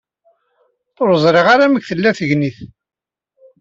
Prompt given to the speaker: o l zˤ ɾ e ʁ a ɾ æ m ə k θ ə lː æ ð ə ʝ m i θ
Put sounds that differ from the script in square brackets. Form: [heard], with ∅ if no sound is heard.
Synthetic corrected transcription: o [ɾ] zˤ ɾ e ʁ a ɾ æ m ə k θ ə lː æ [θ] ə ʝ [n] i θ